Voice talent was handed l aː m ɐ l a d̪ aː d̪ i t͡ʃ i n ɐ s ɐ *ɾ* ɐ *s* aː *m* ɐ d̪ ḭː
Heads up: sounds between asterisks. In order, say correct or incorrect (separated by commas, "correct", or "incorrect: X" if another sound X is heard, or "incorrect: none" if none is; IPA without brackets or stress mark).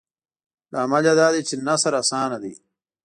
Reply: correct, correct, incorrect: n